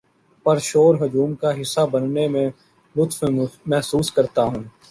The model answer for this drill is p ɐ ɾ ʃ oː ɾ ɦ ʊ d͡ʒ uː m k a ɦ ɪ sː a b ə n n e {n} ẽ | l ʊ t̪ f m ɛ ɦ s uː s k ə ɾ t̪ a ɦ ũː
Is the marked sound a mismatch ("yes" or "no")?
yes